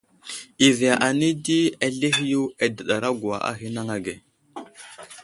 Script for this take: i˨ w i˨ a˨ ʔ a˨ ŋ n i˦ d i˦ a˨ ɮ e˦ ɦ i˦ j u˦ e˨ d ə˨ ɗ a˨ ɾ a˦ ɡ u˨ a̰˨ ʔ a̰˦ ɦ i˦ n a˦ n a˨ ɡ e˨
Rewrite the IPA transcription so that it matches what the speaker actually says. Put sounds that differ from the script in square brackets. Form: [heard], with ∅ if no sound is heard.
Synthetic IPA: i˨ [v] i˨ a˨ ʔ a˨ [∅] n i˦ d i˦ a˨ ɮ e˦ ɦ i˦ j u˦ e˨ d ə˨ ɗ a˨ ɾ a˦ ɡ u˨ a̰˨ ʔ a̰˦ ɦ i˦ n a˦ [ŋ] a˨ ɡ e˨

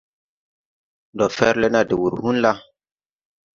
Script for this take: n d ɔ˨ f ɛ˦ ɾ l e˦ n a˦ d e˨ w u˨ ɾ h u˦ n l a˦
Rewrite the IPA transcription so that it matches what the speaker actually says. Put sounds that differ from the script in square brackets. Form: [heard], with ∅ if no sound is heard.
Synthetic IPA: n d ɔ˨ f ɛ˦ ɾ l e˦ n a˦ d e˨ w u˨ ɾ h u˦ n l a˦

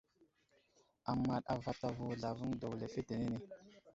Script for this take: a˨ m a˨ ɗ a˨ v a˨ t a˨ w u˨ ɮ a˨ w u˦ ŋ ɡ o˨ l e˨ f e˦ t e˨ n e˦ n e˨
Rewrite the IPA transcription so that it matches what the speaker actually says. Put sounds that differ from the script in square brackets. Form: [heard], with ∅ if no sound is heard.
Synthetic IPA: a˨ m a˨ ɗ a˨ v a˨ t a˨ [v] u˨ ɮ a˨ [v] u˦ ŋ [d] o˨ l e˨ f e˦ t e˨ n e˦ n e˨

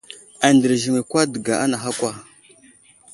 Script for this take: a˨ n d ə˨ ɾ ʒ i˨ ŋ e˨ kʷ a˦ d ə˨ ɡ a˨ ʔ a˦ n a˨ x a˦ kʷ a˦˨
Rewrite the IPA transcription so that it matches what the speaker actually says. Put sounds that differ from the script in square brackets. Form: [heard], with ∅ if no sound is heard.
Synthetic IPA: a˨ n d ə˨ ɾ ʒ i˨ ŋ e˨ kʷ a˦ d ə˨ ɡ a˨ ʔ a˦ n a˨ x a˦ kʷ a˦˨

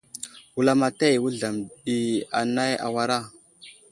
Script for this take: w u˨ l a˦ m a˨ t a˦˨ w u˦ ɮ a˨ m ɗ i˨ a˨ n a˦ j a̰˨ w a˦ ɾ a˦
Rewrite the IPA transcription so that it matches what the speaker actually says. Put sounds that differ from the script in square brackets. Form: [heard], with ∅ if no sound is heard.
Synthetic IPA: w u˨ l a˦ m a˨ t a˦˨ w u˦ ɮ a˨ m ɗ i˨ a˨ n a˦ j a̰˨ w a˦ ɾ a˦

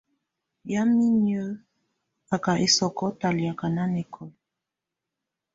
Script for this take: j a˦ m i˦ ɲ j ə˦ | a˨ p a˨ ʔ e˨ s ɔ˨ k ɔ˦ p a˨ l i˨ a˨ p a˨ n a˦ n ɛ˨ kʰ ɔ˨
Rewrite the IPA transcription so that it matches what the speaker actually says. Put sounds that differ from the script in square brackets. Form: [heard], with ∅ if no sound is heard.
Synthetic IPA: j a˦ m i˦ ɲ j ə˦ | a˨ [k] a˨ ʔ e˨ s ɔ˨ k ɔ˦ [t] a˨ l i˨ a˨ [k] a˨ n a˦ n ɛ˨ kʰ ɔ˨

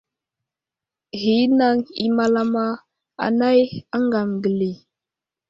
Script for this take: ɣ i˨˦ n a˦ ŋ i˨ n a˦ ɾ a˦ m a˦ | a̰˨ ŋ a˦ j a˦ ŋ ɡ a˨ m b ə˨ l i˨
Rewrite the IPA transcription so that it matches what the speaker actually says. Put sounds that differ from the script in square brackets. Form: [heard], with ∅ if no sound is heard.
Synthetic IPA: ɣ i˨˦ n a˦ ŋ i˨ [m] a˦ [l] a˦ m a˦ | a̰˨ [n] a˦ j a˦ ŋ ɡ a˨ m [ɡ] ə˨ l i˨

